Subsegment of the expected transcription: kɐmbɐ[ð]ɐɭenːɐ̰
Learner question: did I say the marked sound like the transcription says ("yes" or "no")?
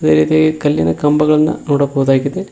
no